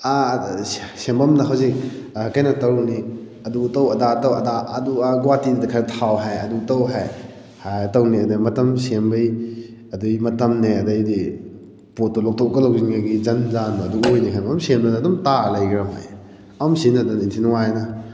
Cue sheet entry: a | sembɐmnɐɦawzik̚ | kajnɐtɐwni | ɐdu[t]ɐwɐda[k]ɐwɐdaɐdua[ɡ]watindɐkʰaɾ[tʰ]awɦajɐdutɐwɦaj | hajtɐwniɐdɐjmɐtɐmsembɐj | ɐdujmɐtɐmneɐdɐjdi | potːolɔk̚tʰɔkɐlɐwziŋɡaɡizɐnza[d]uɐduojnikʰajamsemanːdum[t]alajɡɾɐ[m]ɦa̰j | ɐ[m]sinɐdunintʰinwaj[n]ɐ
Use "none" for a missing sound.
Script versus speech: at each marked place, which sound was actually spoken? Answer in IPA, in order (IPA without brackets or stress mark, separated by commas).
t, t, ɡ, tʰ, n, t, m, m, n